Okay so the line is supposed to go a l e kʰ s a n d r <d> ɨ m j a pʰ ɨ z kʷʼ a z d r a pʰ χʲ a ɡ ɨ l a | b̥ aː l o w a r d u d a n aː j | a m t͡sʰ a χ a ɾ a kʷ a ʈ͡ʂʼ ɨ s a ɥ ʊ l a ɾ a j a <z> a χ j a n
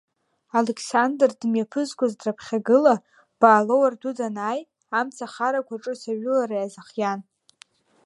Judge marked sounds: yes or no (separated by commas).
yes, yes